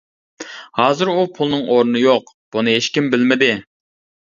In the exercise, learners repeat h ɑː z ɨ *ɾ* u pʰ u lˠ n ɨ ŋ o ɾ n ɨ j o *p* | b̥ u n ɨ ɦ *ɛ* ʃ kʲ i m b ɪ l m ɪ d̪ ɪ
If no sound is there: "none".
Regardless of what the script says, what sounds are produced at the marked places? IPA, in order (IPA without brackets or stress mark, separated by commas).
ɾ, q, e